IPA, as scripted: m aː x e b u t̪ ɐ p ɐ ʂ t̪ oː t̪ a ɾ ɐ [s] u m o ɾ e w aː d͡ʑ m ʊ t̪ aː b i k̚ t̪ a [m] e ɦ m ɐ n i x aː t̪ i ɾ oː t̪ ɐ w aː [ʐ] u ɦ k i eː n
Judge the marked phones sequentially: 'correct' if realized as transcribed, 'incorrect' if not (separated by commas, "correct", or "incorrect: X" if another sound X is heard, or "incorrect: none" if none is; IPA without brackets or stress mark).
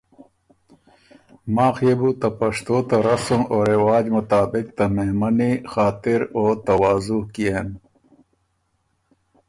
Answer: correct, correct, incorrect: z